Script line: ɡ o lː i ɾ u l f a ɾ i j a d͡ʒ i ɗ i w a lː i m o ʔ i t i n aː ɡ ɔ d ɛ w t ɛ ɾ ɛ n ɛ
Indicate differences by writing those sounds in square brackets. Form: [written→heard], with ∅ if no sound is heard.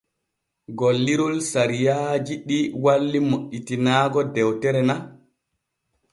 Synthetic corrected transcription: ɡ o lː i ɾ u l [f→s] a ɾ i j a d͡ʒ i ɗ i w a lː i m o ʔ i t i n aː ɡ ɔ d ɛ w t ɛ ɾ ɛ n [ɛ→a]

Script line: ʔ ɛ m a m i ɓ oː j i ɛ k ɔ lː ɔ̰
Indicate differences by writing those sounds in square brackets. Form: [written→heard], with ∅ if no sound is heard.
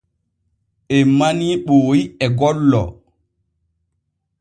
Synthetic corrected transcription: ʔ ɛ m a [m→n] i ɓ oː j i ɛ [k→ɡ] ɔ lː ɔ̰

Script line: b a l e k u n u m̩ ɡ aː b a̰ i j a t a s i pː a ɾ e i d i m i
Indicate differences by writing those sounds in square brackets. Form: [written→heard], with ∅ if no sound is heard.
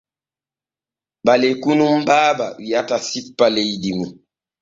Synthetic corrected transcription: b a l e k u n u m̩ [ɡ→b] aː b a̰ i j a t a s i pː a [ɾ→l] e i d i m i

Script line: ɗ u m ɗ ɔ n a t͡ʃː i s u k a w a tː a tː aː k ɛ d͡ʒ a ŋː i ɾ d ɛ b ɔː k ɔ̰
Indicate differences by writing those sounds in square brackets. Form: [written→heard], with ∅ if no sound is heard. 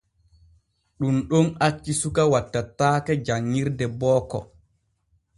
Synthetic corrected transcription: ɗ u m ɗ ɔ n a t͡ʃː i s u k a w a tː a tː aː k ɛ d͡ʒ a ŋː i ɾ d ɛ b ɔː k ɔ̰

